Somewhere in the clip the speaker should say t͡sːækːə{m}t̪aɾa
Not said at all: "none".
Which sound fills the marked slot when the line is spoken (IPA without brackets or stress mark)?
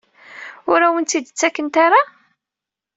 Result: n